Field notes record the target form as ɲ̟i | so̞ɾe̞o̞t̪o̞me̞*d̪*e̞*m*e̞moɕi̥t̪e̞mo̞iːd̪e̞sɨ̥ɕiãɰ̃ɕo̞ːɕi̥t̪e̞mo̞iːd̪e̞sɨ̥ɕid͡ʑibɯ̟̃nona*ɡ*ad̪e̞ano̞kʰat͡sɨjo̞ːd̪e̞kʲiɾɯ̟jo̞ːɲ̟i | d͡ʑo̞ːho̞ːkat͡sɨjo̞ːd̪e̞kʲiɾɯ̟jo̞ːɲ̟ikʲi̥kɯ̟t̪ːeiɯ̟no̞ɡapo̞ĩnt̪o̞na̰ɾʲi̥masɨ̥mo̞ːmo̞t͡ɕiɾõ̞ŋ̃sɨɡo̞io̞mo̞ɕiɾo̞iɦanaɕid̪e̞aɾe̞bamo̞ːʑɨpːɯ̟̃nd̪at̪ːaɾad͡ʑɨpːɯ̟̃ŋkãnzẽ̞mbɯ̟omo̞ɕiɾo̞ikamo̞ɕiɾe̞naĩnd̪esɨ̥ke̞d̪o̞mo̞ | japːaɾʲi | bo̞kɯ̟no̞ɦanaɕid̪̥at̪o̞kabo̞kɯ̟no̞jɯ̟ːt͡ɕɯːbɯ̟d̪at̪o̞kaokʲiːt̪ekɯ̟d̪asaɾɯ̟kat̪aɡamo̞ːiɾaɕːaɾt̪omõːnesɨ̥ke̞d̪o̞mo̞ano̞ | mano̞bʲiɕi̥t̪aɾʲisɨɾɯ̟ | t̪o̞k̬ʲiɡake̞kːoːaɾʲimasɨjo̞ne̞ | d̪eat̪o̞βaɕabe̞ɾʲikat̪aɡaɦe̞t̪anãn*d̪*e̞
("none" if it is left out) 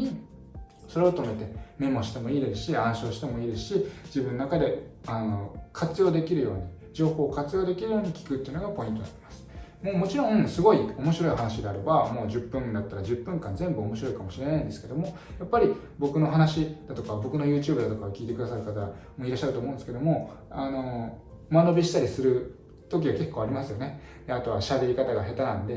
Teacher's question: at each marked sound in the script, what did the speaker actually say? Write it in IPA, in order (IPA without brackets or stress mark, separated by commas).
t̪, m, k, d̪